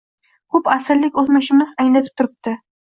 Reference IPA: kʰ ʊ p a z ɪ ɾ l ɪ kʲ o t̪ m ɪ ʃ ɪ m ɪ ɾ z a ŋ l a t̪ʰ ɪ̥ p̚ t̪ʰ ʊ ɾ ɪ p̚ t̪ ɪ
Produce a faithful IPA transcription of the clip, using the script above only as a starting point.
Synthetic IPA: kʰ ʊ p a s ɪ ɾ l ɪ kʲ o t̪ m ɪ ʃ ɪ m ɪ z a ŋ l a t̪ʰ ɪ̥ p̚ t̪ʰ ʊ ɾ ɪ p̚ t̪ ɪ